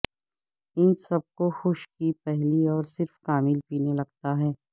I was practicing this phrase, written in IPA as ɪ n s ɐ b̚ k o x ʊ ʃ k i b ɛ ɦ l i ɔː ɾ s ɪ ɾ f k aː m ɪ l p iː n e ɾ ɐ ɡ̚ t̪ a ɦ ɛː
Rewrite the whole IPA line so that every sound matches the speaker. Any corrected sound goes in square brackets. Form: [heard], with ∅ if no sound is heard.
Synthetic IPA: ɪ n s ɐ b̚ k o x ʊ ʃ k i [p] ɛ ɦ l i ɔː ɾ s ɪ ɾ f k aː m ɪ l p iː n e [l] ɐ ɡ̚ t̪ a ɦ ɛː